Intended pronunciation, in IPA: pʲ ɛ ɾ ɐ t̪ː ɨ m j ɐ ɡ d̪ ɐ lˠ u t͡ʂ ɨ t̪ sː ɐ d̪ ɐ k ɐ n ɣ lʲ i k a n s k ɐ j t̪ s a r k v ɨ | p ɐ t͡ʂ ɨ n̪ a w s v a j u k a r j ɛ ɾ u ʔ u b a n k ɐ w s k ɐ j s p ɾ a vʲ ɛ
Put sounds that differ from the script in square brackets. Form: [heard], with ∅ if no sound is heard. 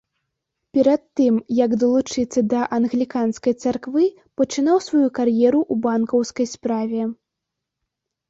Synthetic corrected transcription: pʲ ɛ ɾ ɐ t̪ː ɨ m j ɐ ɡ d̪ ɐ lˠ u t͡ʂ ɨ t̪ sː ɐ d̪ ɐ [ʔ] ɐ n ɣ lʲ i k a n s k ɐ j t̪ s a r k v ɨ | p ɐ t͡ʂ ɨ n̪ a w s v a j u k a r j ɛ ɾ u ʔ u b a n k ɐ w s k ɐ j s p ɾ a vʲ ɛ